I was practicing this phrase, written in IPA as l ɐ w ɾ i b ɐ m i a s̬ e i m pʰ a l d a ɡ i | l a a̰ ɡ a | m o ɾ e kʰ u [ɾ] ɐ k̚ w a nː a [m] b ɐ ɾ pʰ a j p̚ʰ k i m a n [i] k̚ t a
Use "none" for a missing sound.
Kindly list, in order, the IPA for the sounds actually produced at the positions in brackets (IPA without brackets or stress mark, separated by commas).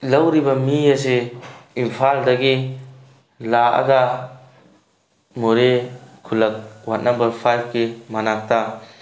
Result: l, m, a